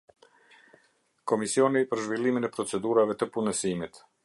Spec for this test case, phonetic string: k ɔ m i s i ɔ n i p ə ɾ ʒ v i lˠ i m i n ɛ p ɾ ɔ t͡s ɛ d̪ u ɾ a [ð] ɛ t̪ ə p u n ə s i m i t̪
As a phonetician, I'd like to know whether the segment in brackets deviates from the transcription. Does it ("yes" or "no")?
yes